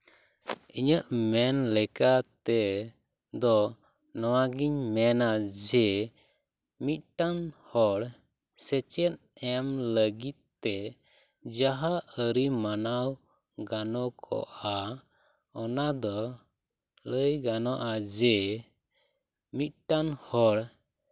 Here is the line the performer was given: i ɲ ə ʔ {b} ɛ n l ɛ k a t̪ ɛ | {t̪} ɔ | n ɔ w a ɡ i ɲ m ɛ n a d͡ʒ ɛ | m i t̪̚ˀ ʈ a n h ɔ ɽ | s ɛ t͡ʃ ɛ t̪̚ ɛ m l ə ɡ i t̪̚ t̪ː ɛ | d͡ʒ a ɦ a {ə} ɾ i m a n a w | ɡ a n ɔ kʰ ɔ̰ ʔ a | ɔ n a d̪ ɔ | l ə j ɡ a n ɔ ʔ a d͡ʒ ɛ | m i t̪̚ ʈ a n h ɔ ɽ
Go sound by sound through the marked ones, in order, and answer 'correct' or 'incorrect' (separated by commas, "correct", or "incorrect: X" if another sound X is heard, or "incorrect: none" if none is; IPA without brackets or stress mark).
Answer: incorrect: m, incorrect: d̪, correct